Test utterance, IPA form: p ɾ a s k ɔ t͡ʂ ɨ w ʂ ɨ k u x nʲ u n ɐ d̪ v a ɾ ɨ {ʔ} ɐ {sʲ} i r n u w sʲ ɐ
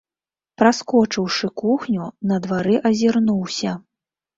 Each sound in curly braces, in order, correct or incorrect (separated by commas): correct, incorrect